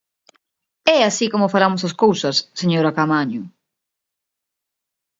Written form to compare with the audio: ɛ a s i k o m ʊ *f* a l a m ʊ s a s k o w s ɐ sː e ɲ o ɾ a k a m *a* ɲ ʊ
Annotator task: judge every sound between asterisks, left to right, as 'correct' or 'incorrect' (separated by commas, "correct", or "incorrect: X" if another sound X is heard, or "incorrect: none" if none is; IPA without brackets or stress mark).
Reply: correct, correct